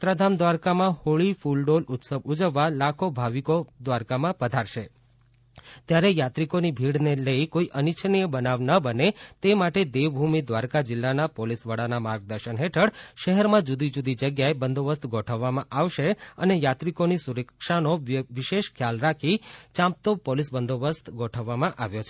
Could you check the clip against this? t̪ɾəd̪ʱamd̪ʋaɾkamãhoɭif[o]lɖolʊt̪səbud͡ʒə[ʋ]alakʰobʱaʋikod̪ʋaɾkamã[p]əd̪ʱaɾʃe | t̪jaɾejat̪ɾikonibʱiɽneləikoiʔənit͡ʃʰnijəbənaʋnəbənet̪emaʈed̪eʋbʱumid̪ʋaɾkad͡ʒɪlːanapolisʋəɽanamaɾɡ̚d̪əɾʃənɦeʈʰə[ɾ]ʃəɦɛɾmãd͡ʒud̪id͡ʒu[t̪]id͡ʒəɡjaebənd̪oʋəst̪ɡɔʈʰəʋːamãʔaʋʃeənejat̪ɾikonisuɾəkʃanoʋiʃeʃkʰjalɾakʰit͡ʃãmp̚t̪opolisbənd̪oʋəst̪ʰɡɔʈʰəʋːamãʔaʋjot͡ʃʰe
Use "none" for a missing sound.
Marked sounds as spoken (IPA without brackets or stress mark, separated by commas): u, ʋː, p, ɽ, d̪